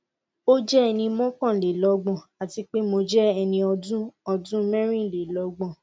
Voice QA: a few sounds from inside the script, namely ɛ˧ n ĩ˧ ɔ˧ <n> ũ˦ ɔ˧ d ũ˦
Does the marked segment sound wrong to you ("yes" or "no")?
yes